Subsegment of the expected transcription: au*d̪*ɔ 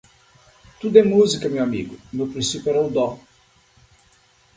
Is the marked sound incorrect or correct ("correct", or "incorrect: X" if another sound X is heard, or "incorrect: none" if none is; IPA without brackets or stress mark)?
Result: correct